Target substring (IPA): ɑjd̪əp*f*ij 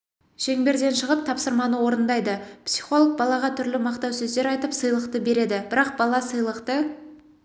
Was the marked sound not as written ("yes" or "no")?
yes